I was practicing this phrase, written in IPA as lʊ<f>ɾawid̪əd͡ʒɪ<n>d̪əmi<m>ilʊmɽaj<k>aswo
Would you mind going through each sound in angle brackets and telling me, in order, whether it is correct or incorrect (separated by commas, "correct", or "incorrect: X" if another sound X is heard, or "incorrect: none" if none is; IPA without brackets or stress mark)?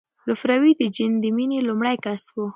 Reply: correct, correct, incorrect: n, correct